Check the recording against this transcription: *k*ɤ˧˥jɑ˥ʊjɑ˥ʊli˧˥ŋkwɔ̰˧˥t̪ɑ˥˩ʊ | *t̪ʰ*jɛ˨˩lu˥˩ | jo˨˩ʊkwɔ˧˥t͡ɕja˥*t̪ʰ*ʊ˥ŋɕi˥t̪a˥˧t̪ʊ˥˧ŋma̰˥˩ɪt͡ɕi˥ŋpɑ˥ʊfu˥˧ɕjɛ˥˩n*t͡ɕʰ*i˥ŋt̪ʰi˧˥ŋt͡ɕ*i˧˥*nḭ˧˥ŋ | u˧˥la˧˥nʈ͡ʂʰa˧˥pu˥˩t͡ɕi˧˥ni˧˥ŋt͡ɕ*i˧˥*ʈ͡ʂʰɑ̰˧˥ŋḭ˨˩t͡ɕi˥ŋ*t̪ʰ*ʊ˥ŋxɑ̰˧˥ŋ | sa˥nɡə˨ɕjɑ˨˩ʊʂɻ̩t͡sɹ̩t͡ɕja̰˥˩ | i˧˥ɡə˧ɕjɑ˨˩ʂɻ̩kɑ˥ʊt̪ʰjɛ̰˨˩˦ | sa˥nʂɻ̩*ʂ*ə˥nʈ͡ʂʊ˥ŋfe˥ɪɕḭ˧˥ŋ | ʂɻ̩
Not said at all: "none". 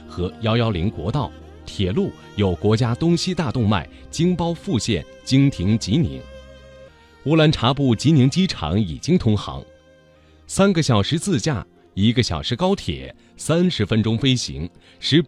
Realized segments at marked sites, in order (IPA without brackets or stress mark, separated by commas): x, t̪ʰ, t̪, t͡ɕ, i˧˥, i˥, t̪ʰ, f